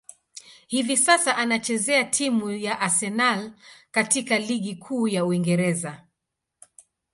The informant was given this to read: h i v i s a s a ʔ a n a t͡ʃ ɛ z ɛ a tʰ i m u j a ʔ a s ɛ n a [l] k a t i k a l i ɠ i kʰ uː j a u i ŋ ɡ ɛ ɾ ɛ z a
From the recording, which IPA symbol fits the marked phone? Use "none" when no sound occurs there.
l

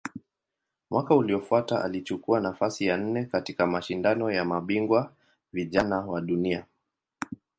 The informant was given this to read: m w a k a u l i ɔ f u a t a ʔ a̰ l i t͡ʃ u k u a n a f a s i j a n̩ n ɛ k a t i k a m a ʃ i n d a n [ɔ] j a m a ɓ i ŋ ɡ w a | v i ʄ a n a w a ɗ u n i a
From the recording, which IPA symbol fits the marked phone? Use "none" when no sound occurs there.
ɔ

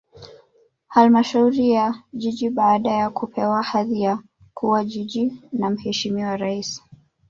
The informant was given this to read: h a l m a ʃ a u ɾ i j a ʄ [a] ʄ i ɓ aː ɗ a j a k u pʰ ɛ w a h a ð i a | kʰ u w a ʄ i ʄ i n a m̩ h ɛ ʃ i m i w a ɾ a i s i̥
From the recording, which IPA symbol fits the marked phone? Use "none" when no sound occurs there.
i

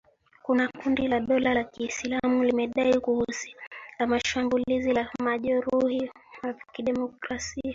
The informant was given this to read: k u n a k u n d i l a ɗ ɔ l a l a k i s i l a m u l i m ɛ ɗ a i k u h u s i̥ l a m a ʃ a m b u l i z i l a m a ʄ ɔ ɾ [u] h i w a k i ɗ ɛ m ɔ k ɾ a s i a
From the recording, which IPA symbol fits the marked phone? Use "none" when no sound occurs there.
u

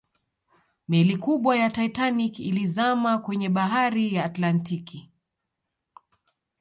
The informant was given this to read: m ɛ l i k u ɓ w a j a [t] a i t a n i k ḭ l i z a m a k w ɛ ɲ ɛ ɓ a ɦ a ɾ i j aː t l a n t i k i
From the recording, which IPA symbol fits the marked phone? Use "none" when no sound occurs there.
t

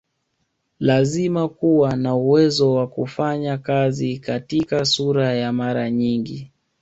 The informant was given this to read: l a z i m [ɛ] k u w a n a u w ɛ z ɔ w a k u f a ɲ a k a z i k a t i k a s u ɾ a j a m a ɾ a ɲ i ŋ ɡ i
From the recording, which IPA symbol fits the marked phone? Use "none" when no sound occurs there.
a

